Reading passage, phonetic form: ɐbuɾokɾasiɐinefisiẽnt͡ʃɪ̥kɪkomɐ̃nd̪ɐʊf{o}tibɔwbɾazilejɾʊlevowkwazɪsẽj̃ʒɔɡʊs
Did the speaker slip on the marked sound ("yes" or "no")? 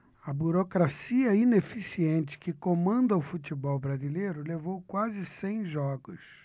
yes